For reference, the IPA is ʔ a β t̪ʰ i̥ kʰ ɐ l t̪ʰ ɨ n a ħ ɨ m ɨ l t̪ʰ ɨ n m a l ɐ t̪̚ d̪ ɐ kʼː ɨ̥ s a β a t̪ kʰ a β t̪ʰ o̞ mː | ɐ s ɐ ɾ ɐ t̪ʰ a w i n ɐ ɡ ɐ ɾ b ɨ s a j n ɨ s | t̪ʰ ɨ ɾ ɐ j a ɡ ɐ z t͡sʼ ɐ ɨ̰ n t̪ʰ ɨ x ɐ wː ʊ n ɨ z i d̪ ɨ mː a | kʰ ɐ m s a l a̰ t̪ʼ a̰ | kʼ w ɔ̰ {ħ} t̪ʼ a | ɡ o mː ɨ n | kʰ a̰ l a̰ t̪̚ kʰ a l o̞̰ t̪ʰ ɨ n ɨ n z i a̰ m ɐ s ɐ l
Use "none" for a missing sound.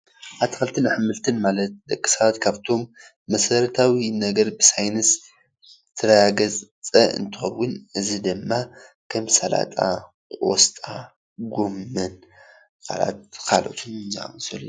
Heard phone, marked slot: s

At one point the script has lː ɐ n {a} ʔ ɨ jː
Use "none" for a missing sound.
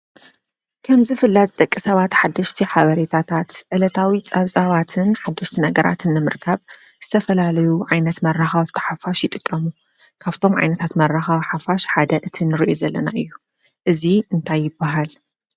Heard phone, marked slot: a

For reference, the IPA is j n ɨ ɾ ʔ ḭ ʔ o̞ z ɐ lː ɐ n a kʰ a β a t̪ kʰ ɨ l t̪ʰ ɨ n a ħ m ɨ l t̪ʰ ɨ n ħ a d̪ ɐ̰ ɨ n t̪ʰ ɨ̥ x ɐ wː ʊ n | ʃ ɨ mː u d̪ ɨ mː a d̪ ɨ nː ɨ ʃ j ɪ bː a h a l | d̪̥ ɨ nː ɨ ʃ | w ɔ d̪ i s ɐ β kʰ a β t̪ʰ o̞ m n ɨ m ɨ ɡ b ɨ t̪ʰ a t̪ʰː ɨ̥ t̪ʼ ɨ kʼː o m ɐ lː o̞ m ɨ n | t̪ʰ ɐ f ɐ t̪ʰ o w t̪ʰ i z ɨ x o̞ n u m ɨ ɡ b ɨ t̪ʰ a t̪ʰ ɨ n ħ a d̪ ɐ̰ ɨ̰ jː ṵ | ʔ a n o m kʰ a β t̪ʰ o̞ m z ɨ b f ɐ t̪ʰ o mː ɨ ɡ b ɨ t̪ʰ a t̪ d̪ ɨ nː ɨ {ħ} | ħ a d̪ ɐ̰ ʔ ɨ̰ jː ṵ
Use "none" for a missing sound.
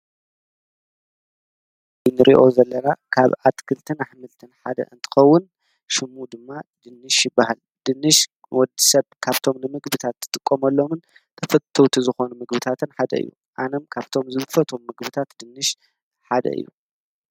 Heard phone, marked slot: ʃ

